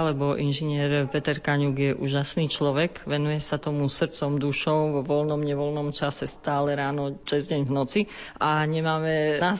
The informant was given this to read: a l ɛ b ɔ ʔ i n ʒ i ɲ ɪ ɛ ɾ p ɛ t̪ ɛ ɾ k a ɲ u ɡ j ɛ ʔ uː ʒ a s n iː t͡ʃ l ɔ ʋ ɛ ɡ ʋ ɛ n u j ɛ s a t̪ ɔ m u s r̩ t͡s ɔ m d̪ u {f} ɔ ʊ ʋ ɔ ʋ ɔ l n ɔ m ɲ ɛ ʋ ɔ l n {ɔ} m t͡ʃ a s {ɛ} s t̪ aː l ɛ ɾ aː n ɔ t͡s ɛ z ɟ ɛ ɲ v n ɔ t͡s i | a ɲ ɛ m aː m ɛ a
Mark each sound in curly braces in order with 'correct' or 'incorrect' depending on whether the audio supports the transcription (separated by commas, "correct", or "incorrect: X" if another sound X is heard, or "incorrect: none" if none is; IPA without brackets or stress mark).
incorrect: ʃ, correct, correct